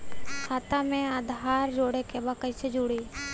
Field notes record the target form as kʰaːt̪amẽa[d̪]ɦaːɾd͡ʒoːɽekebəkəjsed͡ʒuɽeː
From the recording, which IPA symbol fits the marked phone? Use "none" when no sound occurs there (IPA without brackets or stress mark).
d̪